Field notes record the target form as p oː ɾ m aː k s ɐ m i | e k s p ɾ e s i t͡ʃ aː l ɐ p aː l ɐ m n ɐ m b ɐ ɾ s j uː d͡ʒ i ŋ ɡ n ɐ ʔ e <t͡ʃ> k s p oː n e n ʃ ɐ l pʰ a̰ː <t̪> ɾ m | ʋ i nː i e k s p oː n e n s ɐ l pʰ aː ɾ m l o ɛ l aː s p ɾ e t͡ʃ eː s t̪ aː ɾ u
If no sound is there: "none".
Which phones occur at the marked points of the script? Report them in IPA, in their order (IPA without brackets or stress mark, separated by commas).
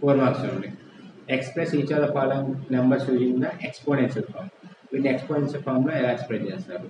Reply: none, none